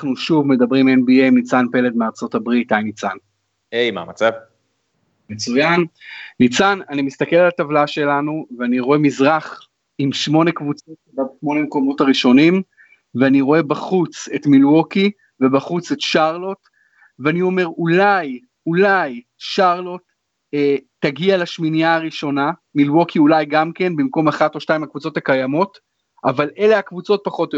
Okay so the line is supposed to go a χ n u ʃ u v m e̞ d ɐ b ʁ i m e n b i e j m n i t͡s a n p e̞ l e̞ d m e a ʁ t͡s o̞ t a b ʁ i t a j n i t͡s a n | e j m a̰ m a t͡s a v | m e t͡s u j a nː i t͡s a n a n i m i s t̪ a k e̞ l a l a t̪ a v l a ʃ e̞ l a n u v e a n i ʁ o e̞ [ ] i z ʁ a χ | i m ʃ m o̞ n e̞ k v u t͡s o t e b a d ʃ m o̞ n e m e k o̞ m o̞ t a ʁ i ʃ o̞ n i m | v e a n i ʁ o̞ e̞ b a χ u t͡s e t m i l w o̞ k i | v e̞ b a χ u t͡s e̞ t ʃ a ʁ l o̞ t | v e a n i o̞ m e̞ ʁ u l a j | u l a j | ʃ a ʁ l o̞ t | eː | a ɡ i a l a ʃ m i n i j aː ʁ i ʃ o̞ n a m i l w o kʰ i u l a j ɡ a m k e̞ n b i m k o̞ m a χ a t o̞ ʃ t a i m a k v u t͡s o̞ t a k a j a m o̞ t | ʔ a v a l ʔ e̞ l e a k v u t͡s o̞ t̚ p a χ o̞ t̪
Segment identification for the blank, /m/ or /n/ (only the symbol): m